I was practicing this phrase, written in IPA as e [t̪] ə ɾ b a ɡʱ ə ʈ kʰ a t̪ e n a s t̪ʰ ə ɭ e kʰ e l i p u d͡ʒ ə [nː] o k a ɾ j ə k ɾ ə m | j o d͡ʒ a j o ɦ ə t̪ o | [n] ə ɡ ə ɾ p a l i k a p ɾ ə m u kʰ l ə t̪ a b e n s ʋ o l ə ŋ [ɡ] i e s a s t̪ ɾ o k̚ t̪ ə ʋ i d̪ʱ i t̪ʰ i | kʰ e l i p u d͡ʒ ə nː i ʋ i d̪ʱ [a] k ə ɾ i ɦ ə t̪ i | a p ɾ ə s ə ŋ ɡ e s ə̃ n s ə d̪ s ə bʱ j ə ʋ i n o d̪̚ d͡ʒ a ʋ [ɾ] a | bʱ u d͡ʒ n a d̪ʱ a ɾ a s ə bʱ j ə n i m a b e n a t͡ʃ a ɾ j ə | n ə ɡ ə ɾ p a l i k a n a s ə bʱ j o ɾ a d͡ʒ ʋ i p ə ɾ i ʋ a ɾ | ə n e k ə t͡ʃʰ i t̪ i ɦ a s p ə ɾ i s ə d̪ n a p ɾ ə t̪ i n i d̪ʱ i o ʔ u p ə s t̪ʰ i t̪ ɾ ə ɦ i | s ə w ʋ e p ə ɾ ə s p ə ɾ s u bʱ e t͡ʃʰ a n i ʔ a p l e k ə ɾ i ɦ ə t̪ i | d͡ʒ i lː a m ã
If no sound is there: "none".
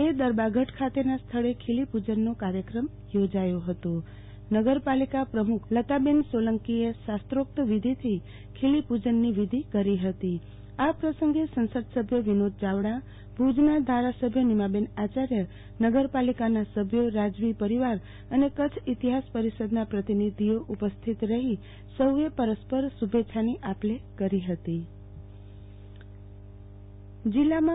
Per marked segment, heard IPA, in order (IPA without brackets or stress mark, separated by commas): d̪, nː, n, k, i, ɽ